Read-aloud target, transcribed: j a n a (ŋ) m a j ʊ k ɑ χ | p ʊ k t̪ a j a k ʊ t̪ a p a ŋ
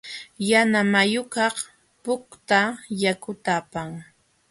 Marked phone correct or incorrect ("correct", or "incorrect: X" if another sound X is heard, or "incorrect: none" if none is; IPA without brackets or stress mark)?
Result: incorrect: none